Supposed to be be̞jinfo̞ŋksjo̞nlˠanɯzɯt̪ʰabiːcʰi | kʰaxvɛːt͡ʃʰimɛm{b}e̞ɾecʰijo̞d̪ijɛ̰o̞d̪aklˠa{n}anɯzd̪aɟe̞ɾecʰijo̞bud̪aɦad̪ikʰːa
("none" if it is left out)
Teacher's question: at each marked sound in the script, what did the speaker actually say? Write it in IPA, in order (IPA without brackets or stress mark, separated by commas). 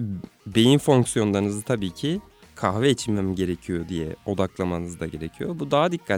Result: ɟ, m